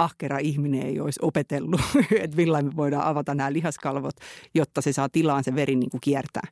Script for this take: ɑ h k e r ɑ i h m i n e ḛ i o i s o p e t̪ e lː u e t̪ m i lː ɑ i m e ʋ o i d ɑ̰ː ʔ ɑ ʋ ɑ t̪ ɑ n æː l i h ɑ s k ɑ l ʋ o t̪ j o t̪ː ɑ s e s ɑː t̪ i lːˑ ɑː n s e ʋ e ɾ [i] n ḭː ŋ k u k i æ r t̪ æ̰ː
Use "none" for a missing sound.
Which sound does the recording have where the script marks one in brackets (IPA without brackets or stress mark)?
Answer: i